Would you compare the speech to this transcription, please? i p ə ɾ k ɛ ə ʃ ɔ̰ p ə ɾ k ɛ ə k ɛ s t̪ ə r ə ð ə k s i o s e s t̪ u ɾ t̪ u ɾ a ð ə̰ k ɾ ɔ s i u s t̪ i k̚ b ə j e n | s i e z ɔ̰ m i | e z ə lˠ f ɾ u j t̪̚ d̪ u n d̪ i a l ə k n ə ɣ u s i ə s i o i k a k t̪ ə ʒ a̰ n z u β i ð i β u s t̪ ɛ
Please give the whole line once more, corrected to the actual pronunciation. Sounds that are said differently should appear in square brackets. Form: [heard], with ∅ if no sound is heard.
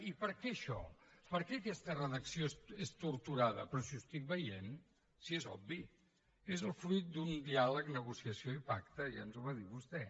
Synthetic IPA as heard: i p ə ɾ k ɛ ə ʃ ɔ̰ p ə ɾ k ɛ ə k ɛ s t̪ ə r ə ð ə k s i o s e s t̪ u ɾ t̪ u ɾ a ð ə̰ [p] ɾ ɔ s i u s t̪ i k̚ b ə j e n | s i e z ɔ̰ [b] i | e z ə lˠ f ɾ u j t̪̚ d̪ u n d̪ i a l ə k n ə ɣ u s i ə s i o i [p] a k t̪ ə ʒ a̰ n z u β [a] ð i β u s t̪ ɛ